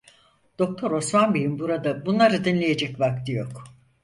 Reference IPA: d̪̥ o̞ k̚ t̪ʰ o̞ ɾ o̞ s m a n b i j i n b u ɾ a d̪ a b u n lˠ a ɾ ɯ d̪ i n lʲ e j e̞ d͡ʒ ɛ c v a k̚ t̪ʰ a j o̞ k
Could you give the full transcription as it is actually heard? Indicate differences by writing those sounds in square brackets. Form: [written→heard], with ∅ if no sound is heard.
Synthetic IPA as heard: d̪̥ o̞ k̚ t̪ʰ o̞ ɾ o̞ s m a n b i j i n b u ɾ a d̪ a b u n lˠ a ɾ ɯ d̪ i n lʲ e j e̞ d͡ʒ ɛ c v a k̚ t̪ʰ [a→i] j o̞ k